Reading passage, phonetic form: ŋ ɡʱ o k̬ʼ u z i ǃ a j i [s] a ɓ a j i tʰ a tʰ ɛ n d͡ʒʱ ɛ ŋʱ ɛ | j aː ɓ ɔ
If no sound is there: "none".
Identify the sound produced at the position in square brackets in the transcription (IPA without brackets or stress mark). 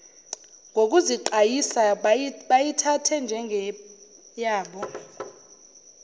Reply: s